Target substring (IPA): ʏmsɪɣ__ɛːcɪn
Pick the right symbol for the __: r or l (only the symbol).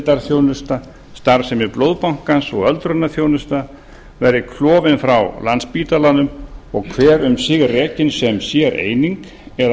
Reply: r